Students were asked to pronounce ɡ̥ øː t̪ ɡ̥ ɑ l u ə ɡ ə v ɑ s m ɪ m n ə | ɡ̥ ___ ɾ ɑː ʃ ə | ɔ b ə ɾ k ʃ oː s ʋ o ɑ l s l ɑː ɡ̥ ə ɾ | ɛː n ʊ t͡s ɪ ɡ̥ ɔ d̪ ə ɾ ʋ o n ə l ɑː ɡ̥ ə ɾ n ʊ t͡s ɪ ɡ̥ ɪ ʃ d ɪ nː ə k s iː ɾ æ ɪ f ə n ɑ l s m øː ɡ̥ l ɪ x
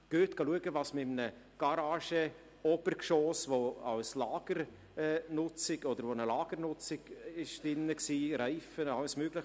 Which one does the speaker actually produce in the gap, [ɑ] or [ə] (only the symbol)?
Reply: ɑ